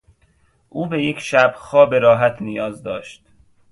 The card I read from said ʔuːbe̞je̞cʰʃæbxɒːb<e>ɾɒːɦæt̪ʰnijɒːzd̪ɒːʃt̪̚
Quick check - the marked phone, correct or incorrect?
correct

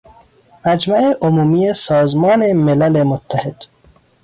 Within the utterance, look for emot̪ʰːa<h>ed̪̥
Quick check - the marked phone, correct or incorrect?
correct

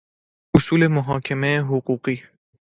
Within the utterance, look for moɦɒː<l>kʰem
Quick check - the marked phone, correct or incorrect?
incorrect: none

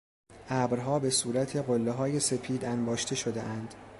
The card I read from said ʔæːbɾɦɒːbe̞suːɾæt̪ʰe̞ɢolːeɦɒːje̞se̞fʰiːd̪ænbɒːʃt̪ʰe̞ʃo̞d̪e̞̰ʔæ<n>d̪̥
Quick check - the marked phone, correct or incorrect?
correct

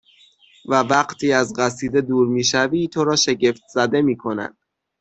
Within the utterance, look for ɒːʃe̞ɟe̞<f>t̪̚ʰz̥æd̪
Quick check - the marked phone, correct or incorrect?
correct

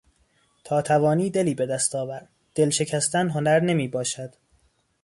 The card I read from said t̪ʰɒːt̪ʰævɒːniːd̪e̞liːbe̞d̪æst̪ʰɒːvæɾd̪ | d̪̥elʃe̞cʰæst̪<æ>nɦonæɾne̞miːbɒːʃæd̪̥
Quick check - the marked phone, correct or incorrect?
correct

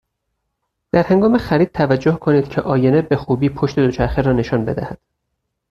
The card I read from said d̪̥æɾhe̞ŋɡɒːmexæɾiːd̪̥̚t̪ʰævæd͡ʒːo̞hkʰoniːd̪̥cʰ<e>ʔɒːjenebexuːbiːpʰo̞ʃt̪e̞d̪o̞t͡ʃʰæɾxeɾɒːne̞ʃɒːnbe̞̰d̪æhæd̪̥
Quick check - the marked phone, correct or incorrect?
correct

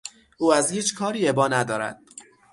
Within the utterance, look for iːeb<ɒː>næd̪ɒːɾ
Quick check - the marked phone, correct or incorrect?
correct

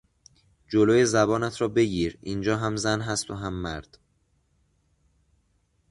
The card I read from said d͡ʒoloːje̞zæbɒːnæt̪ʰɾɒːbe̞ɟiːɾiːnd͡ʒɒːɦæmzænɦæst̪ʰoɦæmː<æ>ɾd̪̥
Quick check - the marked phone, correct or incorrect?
correct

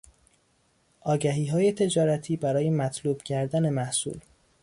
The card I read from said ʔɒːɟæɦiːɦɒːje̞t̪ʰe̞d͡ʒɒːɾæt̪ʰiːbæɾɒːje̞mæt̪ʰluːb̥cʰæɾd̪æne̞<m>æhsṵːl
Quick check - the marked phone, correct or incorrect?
correct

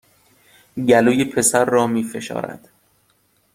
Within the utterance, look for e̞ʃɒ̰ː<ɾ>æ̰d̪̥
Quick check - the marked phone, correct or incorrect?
correct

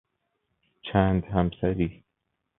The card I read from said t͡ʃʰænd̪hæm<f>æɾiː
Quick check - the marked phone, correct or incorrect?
incorrect: s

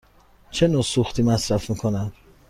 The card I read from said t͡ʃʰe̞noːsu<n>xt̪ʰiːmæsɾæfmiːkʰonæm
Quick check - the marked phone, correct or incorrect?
incorrect: none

